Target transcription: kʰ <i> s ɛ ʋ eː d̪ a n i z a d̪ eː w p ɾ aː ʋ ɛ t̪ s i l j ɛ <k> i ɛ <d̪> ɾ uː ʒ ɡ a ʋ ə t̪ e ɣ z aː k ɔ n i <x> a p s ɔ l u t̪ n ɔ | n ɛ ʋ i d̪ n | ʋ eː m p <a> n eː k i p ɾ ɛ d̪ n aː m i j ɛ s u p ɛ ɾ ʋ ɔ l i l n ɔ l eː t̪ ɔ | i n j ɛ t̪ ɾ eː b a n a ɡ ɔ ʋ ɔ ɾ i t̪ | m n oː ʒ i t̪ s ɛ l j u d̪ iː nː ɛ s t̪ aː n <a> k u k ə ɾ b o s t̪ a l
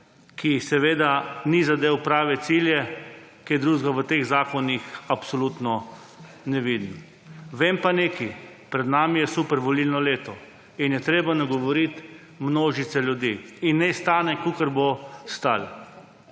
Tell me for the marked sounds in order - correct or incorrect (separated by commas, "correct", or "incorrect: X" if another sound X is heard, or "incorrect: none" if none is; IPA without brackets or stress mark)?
correct, correct, correct, correct, correct, incorrect: ɛ